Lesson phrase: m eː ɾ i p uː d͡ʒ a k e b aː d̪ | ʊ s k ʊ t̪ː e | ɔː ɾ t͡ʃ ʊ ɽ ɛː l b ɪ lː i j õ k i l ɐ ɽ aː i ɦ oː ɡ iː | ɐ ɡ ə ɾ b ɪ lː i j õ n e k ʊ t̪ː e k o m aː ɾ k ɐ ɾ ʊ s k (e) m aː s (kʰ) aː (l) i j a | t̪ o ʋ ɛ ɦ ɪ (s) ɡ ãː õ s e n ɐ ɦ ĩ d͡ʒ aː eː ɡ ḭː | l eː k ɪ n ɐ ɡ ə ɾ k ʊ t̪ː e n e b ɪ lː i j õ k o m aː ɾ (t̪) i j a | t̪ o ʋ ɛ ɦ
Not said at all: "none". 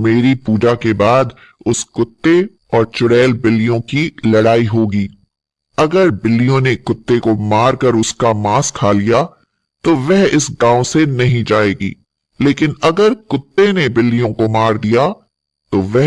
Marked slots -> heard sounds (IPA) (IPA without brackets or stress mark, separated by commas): a, kʰ, l, s, d̪